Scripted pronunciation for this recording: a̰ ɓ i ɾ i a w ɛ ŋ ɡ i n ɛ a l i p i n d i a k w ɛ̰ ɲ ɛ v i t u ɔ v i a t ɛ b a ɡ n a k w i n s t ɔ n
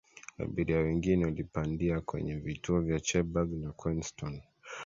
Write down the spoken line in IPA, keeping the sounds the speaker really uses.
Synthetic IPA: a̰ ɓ i ɾ i a w ɛ ŋ ɡ i n ɛ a l i p a n d i a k w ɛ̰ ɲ ɛ v i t u ɔ v j a t͡ʃ ɛ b a ɡ n a k w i n s t ɔ n